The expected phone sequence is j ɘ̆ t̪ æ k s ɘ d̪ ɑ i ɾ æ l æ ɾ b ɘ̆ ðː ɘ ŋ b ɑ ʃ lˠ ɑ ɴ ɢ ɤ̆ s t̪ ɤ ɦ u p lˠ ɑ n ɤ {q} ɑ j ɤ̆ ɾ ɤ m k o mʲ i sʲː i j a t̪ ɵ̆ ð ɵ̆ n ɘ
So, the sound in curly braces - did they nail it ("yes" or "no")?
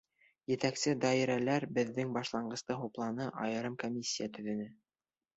no